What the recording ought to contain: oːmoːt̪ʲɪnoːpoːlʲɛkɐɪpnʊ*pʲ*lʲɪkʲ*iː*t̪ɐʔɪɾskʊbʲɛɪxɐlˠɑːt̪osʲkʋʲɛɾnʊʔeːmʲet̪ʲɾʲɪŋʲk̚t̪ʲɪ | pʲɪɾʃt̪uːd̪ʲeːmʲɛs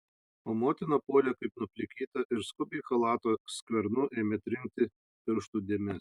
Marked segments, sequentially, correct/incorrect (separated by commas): correct, correct